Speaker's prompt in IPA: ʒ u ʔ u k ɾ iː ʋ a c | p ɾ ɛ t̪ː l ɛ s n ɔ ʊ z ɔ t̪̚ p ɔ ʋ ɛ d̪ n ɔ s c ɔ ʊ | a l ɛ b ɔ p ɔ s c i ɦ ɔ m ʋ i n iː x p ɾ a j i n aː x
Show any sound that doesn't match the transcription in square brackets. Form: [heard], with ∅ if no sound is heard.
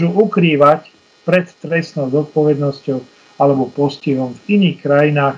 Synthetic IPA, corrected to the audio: ʒ u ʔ u k ɾ iː ʋ a c | p ɾ ɛ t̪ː [ɾ] ɛ s n ɔ ʊ z ɔ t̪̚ p ɔ ʋ ɛ d̪ n ɔ s c ɔ ʊ | a l ɛ b ɔ p ɔ s c i ɦ ɔ m [v] i n iː x [k] ɾ a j i n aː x